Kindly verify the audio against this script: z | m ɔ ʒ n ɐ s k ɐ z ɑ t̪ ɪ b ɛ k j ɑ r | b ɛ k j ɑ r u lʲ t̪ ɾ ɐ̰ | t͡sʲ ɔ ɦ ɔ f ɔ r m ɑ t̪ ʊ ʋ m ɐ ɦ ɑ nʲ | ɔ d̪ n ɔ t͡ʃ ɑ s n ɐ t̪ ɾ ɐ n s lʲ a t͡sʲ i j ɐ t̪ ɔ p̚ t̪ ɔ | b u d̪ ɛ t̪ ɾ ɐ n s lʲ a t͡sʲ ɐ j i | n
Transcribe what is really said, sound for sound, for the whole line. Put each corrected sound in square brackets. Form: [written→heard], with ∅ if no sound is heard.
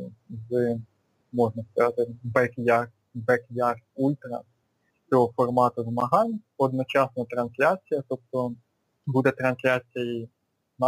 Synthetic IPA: z | m ɔ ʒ n ɐ s k ɐ z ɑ t̪ ɪ b ɛ k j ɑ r | b ɛ k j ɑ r u lʲ t̪ ɾ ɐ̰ | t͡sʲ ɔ ɦ ɔ f ɔ r m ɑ t̪ ʊ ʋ m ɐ ɦ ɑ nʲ | ɔ d̪ n ɔ t͡ʃ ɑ s n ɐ t̪ ɾ ɐ n s lʲ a t͡sʲ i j ɐ t̪ ɔ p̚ t̪ ɔ | b u d̪ ɛ t̪ ɾ ɐ n s lʲ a t͡sʲ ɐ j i | n